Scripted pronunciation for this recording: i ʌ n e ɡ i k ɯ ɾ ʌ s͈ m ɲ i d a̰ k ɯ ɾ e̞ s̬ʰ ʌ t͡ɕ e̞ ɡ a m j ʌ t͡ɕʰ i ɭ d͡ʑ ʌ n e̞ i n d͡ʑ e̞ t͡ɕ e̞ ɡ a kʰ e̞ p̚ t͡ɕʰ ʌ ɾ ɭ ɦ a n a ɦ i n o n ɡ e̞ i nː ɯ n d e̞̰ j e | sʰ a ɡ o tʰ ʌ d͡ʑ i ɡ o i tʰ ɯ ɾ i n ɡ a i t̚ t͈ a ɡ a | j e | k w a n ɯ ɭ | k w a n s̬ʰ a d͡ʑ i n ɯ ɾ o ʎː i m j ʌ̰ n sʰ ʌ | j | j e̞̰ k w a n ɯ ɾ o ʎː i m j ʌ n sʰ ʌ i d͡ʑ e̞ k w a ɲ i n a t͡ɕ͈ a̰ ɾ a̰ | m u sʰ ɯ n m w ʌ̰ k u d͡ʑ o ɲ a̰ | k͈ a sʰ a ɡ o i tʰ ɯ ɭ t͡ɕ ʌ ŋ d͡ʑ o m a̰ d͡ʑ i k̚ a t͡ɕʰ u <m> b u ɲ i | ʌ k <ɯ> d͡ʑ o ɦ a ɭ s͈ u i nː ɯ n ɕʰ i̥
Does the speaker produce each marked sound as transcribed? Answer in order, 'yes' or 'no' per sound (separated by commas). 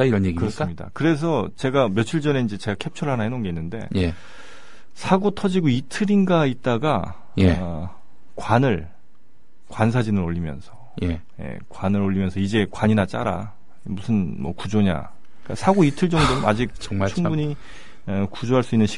no, no